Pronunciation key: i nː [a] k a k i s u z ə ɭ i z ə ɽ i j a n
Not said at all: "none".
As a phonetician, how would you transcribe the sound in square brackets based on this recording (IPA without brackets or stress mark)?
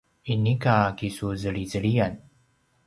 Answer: i